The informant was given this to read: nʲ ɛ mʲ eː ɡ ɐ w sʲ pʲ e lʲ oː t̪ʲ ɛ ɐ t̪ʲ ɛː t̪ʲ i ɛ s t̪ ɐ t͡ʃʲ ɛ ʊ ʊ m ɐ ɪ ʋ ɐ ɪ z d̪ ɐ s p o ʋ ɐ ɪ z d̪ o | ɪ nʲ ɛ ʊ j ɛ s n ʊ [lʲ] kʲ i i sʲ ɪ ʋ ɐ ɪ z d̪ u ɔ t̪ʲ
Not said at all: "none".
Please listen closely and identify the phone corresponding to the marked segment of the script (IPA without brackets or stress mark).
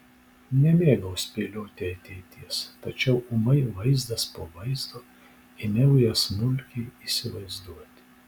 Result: lʲ